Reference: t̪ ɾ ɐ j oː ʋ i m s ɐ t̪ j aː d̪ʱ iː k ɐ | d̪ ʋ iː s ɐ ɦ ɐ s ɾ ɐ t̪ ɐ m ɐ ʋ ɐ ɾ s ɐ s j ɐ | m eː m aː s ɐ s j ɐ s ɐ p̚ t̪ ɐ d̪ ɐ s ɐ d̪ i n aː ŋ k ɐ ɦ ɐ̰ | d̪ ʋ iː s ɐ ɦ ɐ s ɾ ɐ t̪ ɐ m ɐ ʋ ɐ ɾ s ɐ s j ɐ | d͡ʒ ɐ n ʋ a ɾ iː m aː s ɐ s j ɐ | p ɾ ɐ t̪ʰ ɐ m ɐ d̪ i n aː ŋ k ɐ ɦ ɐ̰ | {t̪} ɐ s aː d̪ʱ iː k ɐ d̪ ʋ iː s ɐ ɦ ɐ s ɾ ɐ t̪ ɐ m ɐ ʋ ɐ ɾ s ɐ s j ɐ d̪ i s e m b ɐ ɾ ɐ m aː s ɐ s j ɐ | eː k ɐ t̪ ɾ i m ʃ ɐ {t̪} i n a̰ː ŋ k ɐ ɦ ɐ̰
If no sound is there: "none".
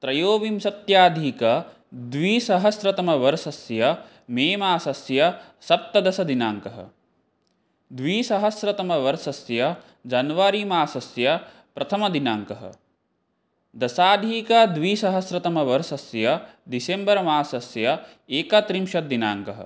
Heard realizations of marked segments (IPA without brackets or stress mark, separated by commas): d̪, d̪